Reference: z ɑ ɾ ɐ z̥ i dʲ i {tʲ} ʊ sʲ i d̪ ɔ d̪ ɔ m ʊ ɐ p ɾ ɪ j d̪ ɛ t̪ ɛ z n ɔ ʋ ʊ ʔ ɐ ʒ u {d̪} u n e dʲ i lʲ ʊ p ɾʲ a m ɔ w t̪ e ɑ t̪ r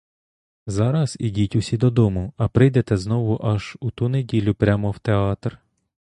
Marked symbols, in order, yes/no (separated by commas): yes, no